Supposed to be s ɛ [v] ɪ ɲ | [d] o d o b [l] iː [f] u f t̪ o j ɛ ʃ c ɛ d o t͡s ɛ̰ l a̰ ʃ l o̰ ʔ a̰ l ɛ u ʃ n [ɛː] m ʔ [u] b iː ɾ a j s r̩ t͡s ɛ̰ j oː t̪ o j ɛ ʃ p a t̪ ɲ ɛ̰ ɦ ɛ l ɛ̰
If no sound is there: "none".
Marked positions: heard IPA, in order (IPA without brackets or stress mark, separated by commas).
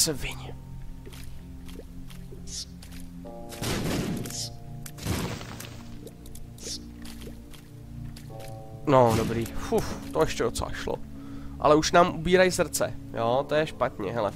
v, n, ɾ, f, aː, u